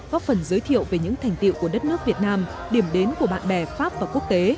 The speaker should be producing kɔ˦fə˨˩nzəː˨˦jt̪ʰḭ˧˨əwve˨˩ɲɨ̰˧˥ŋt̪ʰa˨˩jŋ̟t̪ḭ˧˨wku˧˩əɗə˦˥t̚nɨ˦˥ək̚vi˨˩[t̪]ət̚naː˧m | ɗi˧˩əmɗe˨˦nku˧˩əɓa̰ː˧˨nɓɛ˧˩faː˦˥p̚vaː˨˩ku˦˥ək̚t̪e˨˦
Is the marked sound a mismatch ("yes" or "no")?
yes